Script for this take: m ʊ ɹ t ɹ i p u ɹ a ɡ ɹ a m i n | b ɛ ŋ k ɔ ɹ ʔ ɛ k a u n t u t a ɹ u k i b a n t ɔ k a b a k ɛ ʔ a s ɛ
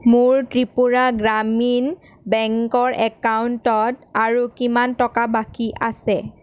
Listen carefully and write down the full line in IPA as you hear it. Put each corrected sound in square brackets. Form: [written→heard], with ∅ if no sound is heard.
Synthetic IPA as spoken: m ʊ ɹ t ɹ i p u ɹ a ɡ ɹ a m i n | b ɛ ŋ k ɔ ɹ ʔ ɛ k a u n t [u→ɔ] t a ɹ u k i [b→m] a n t ɔ k a b a k [ɛ→i] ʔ a s ɛ